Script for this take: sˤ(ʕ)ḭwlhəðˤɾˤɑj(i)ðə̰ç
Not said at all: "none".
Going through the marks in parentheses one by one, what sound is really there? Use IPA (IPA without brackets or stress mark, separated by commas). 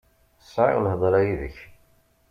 ʕ, i